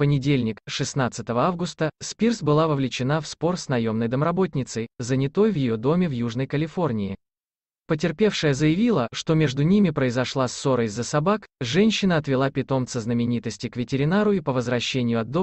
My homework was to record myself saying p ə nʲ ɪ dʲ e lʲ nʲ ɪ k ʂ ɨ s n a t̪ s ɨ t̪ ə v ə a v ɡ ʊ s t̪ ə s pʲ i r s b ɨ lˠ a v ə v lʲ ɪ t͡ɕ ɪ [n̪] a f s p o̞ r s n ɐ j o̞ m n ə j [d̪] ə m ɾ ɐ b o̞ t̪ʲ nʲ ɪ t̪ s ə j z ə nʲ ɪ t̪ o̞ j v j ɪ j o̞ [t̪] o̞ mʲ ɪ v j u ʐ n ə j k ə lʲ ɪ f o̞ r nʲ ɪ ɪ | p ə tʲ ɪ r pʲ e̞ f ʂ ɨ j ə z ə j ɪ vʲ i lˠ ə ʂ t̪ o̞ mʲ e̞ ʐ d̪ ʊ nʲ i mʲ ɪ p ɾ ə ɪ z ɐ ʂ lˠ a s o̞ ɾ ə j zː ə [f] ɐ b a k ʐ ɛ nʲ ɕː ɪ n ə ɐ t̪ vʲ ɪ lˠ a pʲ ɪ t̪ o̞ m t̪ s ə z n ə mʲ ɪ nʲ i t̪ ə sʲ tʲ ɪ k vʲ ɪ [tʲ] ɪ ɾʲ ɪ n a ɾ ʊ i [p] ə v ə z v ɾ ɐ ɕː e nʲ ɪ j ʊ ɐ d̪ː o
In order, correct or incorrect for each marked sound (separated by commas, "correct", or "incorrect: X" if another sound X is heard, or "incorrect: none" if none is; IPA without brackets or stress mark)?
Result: correct, correct, incorrect: d̪, incorrect: s, correct, correct